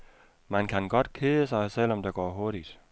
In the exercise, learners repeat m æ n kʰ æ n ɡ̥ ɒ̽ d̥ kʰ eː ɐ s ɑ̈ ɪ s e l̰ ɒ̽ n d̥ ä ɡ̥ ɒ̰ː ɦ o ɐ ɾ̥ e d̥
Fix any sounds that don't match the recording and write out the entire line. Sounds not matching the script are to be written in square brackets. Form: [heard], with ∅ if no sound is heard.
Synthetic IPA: m æ n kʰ æ n ɡ̥ ɒ̽ d̥ kʰ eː [ə] s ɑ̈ ɪ s e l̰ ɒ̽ [m] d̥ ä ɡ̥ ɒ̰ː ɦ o ɐ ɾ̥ [i] d̥